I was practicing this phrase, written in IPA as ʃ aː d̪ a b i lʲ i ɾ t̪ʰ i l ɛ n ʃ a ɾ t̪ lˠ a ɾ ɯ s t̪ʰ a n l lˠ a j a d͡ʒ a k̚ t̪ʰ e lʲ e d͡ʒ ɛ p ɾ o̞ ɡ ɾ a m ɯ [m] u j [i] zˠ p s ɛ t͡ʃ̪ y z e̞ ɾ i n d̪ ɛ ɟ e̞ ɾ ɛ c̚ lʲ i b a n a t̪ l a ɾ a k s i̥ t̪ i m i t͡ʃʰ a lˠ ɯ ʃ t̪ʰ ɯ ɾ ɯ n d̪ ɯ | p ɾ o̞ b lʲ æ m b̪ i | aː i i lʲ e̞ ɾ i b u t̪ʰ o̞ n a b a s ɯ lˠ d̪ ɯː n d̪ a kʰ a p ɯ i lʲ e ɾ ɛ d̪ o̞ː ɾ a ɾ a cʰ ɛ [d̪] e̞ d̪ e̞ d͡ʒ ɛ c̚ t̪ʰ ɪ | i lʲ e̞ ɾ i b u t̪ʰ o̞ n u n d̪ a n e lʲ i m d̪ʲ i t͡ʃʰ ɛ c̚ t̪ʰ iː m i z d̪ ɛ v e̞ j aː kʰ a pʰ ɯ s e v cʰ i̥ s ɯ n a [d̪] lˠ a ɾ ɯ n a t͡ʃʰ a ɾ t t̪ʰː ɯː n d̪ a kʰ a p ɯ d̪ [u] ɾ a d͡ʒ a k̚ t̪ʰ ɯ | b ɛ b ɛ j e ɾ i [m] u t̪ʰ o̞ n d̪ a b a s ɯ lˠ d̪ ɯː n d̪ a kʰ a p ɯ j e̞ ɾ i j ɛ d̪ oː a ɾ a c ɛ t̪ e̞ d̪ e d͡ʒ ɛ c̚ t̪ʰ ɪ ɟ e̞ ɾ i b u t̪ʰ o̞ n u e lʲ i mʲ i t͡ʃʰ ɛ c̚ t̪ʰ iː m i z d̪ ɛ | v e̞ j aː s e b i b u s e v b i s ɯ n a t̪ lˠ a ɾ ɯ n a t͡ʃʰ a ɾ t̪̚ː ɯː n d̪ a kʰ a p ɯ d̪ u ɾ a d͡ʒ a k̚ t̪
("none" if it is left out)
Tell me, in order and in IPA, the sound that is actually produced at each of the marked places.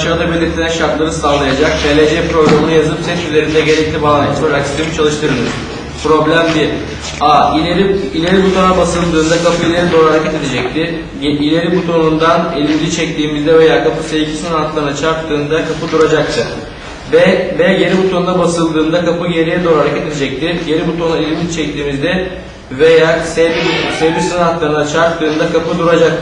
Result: n, a, t̪, t̪, u, b

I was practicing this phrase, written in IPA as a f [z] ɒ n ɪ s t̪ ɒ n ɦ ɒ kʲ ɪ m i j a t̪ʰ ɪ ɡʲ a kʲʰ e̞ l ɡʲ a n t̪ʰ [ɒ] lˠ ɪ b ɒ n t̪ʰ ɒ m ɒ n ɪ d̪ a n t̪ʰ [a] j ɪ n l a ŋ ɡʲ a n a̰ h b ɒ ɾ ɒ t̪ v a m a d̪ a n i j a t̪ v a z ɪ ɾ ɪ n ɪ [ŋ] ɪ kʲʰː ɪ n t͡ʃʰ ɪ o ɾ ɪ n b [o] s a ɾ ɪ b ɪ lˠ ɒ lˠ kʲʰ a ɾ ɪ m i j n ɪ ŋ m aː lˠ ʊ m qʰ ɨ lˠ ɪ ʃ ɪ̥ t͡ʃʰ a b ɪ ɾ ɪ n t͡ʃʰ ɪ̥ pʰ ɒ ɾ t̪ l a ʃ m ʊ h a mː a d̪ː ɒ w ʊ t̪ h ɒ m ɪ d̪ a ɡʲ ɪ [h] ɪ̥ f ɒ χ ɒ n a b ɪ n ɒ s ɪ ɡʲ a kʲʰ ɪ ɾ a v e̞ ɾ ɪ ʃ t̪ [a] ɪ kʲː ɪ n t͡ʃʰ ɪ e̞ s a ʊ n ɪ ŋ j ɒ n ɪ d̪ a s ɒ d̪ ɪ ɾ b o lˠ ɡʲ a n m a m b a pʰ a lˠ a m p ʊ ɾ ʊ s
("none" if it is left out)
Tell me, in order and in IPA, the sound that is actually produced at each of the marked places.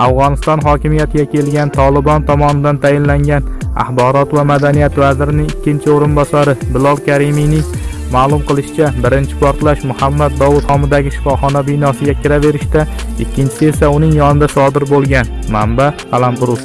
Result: ʁ, ɒ, a, ŋ, ɒ, ʃ, a

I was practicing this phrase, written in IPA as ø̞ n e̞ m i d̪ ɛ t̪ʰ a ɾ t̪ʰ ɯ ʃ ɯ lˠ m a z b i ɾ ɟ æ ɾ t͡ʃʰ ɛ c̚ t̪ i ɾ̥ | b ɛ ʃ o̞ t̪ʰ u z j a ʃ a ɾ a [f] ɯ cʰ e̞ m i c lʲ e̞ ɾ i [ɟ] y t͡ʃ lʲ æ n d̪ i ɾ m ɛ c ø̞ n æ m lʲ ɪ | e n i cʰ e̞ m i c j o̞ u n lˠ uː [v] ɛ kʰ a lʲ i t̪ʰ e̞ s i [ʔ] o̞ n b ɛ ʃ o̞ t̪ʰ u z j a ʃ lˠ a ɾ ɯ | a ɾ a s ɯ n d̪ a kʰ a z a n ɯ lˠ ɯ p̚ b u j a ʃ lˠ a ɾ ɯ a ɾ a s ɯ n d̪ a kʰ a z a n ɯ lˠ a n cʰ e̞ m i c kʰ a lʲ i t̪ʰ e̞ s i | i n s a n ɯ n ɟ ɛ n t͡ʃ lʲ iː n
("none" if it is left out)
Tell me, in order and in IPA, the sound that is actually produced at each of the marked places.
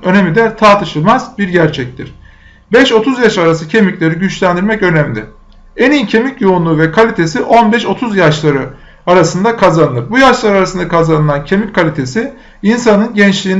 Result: s, ɟ, v, ʔ

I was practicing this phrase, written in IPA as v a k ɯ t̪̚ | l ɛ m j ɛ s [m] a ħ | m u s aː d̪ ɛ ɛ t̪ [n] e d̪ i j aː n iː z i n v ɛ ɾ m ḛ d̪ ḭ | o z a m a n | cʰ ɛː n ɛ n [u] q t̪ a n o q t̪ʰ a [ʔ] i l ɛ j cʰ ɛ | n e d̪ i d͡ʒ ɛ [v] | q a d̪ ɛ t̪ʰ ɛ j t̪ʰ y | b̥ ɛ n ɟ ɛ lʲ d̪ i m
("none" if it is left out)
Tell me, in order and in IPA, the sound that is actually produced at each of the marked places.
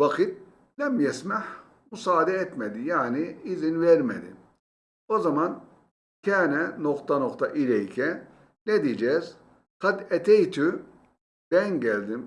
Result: m, m, o, ʔ, z

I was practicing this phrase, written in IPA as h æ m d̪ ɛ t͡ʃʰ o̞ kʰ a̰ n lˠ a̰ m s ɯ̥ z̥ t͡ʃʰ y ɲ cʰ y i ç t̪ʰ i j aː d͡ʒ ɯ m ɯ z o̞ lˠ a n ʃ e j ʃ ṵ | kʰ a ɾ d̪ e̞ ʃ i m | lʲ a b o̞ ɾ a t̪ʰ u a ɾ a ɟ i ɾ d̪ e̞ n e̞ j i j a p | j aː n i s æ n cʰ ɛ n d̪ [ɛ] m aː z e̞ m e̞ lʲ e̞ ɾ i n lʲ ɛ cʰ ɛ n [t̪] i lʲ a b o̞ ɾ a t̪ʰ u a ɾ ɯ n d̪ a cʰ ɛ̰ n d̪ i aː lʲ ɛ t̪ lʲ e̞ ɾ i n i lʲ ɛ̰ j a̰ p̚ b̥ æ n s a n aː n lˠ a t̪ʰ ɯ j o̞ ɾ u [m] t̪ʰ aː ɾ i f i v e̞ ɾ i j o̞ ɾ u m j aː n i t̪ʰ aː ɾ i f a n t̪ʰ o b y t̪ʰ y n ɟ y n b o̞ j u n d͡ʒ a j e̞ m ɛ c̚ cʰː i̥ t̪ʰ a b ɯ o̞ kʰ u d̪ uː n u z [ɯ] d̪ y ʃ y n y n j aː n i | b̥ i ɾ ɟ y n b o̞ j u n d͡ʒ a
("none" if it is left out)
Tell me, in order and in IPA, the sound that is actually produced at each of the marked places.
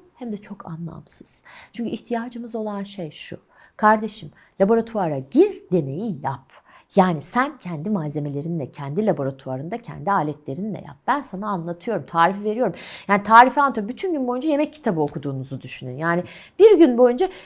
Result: i, d̪, m, u

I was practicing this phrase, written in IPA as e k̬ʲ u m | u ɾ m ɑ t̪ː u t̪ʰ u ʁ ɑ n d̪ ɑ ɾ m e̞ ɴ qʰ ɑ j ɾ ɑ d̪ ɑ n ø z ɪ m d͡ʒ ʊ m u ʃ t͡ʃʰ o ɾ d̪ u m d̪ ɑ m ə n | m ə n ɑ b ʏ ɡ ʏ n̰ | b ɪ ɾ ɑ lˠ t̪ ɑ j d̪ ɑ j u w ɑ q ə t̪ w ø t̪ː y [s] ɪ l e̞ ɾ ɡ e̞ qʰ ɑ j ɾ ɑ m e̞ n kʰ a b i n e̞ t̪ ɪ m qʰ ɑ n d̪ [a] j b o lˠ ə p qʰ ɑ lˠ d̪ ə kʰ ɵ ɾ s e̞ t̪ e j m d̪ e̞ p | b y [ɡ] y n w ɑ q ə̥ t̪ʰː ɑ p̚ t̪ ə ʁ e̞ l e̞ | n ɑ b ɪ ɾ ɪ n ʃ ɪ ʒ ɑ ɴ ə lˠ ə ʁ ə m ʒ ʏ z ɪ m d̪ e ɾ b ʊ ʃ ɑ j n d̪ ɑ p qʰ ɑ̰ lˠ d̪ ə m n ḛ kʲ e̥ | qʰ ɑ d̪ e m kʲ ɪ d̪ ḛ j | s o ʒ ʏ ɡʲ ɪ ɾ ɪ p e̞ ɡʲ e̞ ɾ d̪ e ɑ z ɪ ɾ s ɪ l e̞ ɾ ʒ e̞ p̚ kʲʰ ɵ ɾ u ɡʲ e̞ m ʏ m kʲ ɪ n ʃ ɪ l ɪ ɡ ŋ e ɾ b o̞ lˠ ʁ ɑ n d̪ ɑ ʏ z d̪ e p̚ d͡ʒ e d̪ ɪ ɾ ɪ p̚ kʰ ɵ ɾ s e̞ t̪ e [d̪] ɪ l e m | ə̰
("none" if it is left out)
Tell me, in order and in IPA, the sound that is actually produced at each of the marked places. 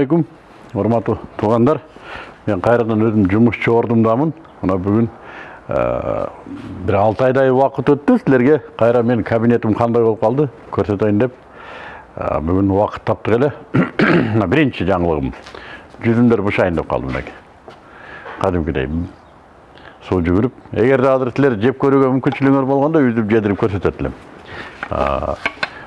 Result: s, ɑ, ɡ, t̪

